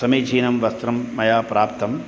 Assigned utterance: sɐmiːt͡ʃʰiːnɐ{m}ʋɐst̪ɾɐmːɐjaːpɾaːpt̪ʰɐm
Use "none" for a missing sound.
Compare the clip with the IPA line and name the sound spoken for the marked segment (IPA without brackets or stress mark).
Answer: m